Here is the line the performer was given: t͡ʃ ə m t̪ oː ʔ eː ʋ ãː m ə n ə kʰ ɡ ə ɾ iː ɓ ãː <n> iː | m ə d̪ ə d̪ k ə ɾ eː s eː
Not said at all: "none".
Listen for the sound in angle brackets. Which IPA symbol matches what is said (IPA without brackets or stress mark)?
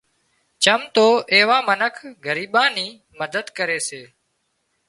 n